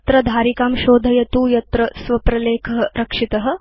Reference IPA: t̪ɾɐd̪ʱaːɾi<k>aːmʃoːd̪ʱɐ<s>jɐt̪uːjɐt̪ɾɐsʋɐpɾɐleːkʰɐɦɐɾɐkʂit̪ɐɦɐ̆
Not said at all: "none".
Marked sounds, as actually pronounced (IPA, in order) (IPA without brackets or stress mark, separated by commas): k, none